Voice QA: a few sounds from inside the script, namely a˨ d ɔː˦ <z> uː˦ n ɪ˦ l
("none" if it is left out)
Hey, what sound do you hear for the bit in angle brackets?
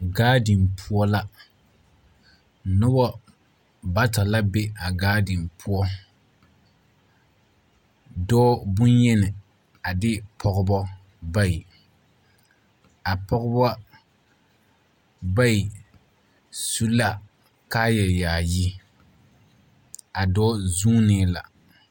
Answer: z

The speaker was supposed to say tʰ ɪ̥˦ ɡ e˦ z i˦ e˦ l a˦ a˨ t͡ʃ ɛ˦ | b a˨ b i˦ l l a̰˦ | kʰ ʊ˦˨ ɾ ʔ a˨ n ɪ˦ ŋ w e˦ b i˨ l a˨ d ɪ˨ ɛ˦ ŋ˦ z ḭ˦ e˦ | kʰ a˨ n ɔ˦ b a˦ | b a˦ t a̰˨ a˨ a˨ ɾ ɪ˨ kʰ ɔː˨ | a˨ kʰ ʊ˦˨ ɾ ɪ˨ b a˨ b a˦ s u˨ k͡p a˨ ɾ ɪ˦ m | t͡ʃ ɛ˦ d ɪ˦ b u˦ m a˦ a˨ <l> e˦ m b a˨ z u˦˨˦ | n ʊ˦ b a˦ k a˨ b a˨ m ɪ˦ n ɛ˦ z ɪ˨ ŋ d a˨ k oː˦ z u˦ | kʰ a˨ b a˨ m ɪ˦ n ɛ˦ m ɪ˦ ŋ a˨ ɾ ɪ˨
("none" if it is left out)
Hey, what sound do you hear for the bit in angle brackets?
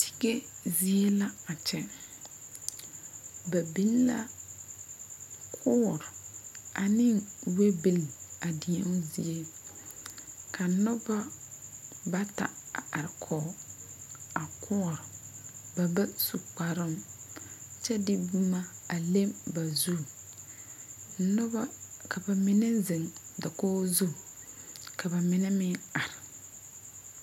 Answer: l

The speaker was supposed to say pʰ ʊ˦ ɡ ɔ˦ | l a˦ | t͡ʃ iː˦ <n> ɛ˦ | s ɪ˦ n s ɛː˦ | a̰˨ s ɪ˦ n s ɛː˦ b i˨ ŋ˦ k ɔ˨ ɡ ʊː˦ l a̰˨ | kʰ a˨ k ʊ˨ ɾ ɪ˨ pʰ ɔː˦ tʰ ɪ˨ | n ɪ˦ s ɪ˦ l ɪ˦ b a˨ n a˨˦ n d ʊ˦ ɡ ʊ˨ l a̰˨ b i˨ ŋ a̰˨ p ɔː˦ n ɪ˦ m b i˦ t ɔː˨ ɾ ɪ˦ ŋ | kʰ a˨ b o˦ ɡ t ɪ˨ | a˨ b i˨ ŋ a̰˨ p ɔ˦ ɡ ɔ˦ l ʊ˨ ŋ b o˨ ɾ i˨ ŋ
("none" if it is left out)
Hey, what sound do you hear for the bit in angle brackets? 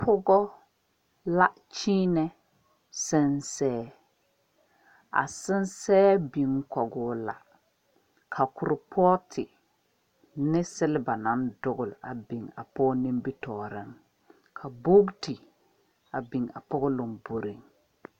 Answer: n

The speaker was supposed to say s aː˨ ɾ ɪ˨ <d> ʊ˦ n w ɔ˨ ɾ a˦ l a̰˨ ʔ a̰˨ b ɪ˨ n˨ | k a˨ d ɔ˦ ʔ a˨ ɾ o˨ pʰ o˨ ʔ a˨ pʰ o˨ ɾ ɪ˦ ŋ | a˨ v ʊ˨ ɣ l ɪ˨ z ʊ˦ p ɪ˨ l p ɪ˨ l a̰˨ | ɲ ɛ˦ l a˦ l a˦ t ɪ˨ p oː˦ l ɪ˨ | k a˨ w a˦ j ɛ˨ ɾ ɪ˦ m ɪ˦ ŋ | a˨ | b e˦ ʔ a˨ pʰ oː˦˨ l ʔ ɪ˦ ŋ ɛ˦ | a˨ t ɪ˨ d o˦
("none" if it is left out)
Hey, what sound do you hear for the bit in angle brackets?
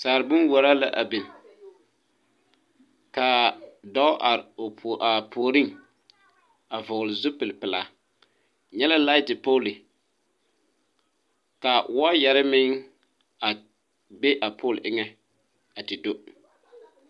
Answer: b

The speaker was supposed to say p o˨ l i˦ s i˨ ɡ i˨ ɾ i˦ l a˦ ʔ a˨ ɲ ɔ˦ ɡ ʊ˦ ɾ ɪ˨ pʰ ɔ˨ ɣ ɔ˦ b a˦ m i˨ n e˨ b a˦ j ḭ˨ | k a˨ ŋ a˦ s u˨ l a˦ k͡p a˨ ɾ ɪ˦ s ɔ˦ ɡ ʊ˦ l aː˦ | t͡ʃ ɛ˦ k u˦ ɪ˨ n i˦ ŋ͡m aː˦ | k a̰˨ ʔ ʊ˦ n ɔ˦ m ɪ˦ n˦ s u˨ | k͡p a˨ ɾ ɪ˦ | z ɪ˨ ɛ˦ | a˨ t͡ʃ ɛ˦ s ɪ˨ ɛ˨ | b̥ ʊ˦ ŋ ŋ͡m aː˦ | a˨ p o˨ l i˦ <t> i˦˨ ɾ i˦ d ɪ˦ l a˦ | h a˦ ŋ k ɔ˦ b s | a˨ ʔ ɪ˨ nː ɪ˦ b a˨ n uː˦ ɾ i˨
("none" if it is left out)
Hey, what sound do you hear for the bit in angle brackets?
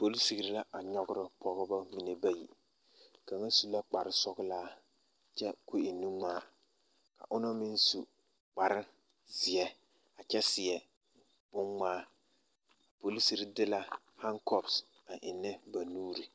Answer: s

